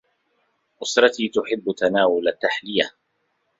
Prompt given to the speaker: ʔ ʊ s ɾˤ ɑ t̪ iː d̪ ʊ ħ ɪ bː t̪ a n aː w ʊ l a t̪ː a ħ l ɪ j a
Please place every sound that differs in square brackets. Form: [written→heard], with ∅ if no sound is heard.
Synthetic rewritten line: ʔ ʊ s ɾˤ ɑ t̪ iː [d̪→t̪] ʊ ħ ɪ bː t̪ a n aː w ʊ l a t̪ː a ħ l ɪ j a

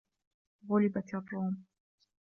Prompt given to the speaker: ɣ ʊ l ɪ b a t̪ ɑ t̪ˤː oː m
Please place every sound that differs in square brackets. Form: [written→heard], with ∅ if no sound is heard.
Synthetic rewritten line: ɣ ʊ l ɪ b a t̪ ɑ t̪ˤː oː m

